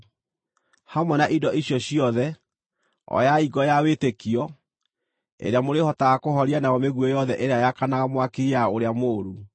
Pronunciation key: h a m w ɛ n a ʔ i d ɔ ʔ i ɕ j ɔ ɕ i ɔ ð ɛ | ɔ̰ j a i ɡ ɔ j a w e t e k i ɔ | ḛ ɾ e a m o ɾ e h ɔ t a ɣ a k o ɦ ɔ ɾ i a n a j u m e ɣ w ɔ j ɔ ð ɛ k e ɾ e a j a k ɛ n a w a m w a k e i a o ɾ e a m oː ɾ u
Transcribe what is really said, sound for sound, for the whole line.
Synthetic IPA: h a m w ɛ n a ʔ i d ɔ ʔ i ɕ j ɔ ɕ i ɔ ð ɛ | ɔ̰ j a i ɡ ɔ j a w e t e k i ɔ | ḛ ɾ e a m o ɾ e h ɔ t a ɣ a k o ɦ ɔ ɾ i a n a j ɔ m e ɣ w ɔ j ɔ ð ɛ ʔ e ɾ e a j a k a n a ɣ a m w a k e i a o ɾ e a m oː ɾ u